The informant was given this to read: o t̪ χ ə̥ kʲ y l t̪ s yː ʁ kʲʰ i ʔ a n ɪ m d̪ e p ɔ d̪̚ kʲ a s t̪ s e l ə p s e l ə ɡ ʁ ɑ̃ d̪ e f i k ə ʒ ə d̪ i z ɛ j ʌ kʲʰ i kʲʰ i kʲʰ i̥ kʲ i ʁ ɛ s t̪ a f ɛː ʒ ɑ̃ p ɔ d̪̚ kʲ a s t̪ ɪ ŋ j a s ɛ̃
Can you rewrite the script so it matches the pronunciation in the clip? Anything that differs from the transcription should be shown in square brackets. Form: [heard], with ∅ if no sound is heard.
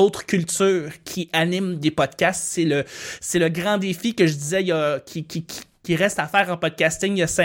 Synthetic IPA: o t̪ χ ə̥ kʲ y l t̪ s yː ʁ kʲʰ i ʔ a n ɪ m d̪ e p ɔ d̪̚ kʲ a s t̪ s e l ə [∅] s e l ə ɡ ʁ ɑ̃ d̪ e f i k ə ʒ ə d̪ i z ɛ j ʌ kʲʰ i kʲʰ i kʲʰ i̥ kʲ i ʁ ɛ s t̪ a f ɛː [ʁ] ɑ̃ p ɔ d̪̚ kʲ a s t̪ ɪ ŋ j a s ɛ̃